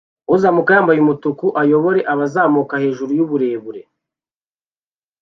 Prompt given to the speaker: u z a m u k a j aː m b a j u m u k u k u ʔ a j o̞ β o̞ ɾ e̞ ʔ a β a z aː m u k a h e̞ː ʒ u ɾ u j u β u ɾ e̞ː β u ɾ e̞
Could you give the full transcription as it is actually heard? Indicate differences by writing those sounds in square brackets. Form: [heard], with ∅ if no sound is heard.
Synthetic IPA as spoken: u z a m u k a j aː m b a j u m u [t] u k u ʔ a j o̞ β o̞ ɾ e̞ ʔ a β a z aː m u k a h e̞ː ʒ u ɾ u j u β u ɾ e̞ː β u ɾ e̞